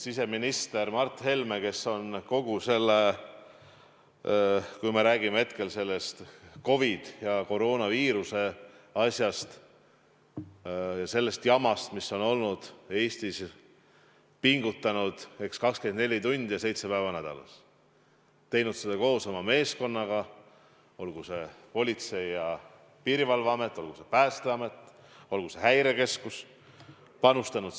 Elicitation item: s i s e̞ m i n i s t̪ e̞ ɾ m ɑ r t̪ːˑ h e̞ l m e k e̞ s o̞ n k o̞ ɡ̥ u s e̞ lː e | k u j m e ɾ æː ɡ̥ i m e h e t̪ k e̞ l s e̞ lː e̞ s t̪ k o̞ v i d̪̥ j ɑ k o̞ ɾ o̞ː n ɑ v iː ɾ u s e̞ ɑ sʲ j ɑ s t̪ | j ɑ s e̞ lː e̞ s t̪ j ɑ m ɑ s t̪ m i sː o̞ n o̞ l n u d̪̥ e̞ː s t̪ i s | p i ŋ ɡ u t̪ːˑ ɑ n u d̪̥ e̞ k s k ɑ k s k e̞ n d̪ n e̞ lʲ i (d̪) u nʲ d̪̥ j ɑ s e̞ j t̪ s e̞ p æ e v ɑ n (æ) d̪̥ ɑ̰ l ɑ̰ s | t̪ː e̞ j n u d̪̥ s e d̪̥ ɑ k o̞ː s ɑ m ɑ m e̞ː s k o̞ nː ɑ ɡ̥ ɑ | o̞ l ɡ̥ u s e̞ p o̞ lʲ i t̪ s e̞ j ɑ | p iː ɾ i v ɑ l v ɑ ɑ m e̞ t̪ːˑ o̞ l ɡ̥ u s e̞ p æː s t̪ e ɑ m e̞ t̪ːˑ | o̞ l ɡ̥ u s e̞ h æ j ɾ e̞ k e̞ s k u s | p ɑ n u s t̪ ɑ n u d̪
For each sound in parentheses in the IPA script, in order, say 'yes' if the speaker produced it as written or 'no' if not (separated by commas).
no, yes